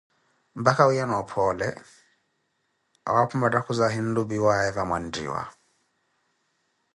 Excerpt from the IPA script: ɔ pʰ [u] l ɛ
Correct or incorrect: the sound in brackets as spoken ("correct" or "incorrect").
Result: incorrect